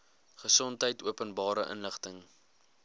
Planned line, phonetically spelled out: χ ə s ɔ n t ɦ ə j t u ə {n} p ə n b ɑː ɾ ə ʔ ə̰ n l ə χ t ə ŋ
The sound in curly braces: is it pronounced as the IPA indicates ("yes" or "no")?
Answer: no